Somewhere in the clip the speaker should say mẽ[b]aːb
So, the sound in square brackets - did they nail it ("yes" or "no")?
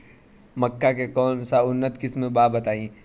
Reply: yes